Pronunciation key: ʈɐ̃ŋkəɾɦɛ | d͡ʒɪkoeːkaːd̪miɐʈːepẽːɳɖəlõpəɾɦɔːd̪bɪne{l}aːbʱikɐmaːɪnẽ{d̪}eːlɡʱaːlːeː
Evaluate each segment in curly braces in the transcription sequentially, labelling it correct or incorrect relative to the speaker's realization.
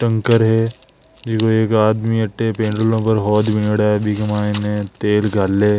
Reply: incorrect: ɽ, incorrect: t̪

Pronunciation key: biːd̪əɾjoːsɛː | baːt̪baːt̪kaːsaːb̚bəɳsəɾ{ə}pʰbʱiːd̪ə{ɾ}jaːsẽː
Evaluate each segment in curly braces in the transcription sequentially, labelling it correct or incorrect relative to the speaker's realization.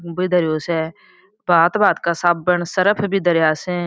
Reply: correct, correct

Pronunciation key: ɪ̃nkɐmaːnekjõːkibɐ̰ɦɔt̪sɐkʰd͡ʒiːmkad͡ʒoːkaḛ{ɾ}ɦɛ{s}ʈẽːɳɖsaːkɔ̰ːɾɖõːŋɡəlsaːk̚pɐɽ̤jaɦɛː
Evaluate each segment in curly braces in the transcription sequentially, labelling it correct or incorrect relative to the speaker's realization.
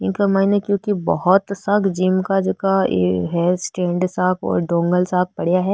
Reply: incorrect: none, correct

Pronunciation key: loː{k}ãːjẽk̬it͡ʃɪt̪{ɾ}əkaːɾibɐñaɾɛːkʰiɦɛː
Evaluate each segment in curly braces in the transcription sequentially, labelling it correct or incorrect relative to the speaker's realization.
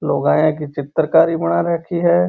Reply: incorrect: ɡ, correct

